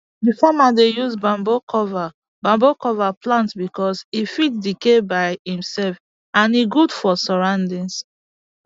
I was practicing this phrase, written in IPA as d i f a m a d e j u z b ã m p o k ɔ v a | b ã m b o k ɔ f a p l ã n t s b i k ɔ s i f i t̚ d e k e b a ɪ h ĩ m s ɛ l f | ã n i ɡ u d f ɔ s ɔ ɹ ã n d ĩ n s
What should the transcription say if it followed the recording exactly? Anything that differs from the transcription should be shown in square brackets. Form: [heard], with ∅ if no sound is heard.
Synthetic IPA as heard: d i f a m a d e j u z b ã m [b] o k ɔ v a | b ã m b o k ɔ [v] a p l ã n t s b i k ɔ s i f i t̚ d [i] k e b a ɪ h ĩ m s ɛ l f | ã n i ɡ u d f ɔ s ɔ ɹ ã n d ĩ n s